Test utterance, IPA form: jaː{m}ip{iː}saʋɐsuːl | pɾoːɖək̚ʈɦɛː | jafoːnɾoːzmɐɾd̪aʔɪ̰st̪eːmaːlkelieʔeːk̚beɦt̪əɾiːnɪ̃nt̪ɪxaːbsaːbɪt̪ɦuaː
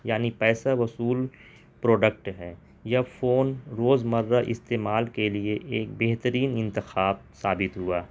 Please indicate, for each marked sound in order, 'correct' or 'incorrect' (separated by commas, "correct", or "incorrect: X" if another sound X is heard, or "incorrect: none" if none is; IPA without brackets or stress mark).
incorrect: n, incorrect: ɛː